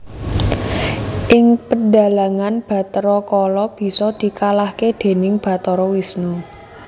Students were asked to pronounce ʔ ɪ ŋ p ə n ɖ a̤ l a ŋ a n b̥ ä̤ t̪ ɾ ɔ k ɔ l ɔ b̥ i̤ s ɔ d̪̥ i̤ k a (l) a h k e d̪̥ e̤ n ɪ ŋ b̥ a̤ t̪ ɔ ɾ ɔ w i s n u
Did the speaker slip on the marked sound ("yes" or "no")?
no